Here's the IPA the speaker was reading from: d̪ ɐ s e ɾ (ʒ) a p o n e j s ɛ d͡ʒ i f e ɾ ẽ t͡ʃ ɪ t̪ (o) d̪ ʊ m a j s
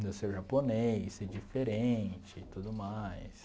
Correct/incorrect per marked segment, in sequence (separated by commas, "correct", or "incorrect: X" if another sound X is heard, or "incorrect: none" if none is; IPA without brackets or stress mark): correct, incorrect: u